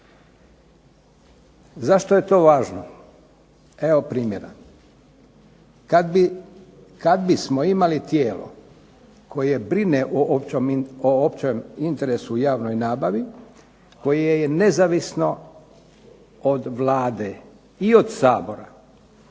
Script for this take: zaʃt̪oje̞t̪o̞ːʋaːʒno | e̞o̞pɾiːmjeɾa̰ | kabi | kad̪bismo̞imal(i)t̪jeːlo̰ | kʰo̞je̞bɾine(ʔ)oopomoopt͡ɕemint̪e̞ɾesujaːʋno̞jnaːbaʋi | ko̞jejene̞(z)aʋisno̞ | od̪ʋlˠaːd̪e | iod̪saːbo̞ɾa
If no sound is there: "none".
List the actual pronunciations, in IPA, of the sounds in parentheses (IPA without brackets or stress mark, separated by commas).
i, ʔ, z